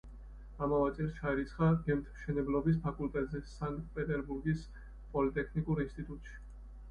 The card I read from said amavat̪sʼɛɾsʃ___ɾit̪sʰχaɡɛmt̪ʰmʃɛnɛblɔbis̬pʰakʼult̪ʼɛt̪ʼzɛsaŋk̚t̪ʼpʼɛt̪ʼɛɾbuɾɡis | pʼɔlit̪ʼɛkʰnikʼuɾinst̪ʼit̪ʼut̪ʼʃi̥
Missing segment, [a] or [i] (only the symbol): a